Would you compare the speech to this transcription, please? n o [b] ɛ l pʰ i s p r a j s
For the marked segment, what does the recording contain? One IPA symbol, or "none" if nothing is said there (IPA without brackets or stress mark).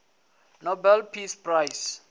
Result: b